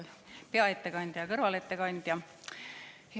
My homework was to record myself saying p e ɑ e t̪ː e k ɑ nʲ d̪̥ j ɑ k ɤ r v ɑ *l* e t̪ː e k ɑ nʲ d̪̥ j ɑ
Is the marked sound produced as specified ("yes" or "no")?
yes